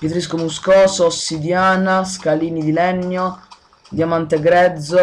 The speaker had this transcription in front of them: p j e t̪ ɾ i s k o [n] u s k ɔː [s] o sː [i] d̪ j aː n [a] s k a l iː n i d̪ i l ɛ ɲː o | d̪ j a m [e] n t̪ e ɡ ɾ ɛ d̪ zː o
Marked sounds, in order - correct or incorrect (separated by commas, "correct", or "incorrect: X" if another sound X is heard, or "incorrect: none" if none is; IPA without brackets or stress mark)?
incorrect: m, correct, correct, correct, incorrect: a